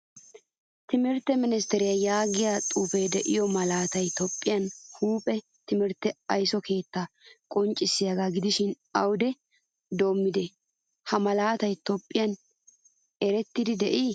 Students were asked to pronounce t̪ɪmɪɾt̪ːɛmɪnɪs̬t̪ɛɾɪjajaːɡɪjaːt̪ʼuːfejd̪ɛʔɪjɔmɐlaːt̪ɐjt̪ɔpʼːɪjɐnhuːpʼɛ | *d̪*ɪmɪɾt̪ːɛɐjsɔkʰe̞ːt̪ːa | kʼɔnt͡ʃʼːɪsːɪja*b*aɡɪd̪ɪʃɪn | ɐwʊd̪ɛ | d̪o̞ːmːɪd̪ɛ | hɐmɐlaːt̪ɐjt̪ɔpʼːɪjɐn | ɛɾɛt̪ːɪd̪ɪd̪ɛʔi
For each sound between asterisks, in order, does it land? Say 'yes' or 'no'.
no, no

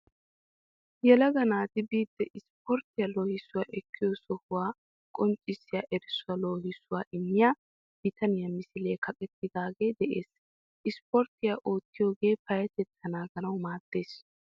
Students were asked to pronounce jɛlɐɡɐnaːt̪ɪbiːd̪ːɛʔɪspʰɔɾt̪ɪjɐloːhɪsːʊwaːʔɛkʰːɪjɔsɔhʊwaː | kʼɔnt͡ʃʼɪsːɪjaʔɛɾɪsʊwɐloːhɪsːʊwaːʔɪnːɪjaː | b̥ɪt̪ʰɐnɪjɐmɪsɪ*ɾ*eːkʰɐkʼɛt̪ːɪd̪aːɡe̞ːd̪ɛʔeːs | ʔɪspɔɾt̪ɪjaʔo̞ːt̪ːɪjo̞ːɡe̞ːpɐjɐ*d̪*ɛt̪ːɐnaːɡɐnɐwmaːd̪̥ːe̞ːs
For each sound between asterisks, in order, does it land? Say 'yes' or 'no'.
no, no

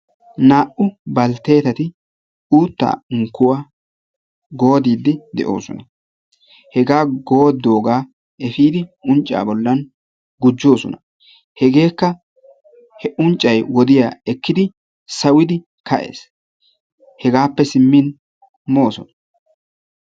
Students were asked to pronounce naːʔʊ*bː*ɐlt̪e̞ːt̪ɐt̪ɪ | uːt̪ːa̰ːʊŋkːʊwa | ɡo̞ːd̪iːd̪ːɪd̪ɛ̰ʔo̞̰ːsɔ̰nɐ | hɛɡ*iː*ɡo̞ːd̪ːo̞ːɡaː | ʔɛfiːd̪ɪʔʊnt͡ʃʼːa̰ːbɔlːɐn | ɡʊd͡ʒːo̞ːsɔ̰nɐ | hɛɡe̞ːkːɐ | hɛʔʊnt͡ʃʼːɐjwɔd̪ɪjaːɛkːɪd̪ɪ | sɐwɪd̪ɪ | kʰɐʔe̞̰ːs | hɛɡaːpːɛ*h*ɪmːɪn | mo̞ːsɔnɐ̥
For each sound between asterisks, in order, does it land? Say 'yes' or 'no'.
no, no, no

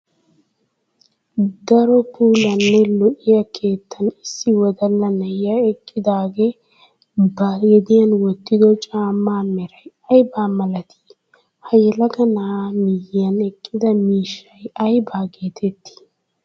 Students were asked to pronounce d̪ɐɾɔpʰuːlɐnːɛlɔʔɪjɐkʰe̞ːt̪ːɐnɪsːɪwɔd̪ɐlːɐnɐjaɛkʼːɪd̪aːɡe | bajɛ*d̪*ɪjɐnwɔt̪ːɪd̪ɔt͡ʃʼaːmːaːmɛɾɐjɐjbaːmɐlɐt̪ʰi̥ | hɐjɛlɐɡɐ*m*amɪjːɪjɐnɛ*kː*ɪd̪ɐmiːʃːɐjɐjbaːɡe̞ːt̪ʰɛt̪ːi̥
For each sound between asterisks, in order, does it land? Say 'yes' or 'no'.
yes, no, no

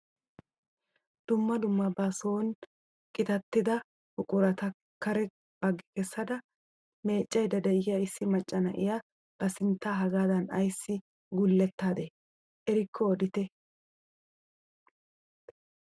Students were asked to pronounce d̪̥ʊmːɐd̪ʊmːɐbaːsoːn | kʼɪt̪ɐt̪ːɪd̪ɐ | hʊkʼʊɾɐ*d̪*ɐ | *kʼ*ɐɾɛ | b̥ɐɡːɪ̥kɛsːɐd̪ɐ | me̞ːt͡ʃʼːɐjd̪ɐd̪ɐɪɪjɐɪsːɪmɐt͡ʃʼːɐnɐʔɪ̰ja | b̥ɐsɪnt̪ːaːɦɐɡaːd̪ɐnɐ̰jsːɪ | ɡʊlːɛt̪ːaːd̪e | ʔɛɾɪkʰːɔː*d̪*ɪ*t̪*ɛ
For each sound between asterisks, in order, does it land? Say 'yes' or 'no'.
no, no, yes, yes

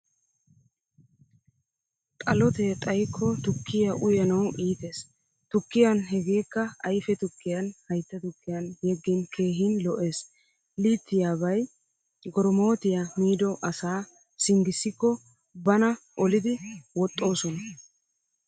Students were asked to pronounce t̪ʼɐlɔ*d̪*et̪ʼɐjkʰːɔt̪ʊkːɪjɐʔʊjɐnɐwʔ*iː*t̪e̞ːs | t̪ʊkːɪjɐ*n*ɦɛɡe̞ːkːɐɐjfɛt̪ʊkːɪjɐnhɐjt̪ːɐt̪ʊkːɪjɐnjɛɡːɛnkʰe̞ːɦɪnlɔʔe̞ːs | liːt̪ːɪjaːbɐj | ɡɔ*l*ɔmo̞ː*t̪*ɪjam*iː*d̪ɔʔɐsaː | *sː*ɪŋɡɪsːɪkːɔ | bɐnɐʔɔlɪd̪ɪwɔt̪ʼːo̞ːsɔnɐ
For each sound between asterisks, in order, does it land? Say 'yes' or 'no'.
no, yes, yes, no, yes, yes, no

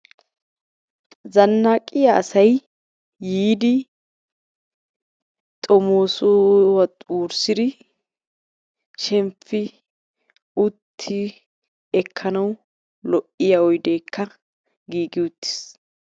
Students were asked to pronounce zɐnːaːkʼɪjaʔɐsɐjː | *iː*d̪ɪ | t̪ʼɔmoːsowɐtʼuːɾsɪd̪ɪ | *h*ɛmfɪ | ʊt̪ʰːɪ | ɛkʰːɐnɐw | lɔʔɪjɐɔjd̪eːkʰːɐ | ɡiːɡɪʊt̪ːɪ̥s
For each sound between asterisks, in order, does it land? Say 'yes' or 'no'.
yes, no

